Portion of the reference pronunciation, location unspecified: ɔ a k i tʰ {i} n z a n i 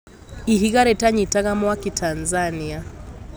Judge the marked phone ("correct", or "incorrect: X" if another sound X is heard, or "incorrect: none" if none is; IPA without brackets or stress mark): incorrect: a